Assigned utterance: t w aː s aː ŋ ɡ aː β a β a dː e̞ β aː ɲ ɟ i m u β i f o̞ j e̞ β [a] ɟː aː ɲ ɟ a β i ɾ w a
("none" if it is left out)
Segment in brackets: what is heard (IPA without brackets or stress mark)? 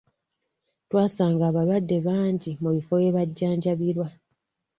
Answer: a